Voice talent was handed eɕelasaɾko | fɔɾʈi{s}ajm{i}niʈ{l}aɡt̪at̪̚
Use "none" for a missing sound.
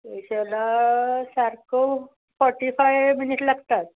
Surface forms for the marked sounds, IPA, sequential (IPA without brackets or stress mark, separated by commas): f, i, l